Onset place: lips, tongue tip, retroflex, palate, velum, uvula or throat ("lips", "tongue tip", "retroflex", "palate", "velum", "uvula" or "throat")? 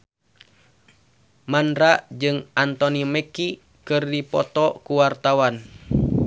lips